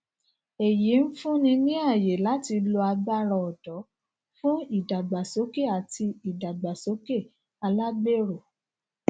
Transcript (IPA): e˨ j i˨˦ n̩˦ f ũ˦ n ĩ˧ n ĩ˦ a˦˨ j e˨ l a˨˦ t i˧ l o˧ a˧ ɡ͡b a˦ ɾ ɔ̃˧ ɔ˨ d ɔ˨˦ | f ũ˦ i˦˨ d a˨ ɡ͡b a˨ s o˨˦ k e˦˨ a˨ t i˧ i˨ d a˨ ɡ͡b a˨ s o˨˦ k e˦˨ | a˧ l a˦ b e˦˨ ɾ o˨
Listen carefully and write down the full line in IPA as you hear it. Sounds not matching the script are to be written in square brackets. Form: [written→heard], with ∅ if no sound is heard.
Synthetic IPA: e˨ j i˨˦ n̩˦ f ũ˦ n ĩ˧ n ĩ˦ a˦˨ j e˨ l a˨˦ t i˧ l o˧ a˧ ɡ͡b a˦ ɾ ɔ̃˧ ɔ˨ d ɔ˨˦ | f ũ˦ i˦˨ d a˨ ɡ͡b a˨ s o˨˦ k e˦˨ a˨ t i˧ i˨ d a˨ ɡ͡b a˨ s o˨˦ k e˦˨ | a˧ l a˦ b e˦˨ ɾ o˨